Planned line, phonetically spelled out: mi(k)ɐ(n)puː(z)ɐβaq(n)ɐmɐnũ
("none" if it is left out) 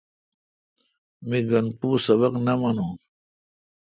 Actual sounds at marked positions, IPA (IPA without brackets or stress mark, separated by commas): ɡ, n, s, n